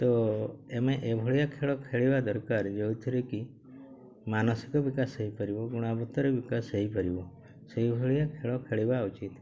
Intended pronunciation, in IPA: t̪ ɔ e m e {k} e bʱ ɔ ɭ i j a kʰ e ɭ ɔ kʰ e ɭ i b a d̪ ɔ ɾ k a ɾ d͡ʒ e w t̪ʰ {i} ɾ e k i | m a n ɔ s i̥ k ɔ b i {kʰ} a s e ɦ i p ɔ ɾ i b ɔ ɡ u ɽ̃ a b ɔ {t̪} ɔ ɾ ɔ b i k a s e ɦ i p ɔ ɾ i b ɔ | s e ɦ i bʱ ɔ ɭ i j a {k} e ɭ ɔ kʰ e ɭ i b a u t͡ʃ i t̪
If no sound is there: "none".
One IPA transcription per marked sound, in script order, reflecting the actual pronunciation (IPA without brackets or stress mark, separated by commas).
ʔ, i, k, t̪, kʰ